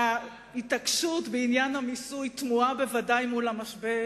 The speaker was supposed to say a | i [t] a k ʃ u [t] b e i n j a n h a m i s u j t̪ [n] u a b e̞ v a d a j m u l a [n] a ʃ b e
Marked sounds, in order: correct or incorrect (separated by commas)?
correct, correct, incorrect, incorrect